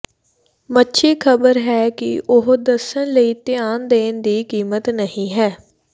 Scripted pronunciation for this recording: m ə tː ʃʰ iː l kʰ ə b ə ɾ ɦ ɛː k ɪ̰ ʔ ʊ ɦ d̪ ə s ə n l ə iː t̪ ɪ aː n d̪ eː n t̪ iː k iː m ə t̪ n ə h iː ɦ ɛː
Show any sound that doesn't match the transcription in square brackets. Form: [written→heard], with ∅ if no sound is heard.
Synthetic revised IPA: m ə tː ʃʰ iː [l→∅] kʰ ə b ə ɾ ɦ ɛː k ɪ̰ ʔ ʊ ɦ d̪ ə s ə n l ə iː t̪ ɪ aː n d̪ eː n [t̪→d̪] iː k iː m ə t̪ n ə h [iː→ĩː] ɦ ɛː